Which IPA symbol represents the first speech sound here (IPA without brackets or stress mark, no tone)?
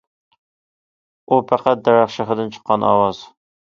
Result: u